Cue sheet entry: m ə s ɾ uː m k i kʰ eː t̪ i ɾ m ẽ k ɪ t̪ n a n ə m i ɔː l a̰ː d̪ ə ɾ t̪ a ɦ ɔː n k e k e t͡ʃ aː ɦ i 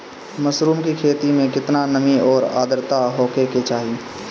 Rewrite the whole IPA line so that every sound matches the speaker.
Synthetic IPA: m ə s ɾ uː m k i kʰ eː t̪ i m ẽ k ɪ t̪ n a n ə m i ɔː ɾ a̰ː d̪ ə ɾ t̪ a ɦ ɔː k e k e t͡ʃ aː ɦ i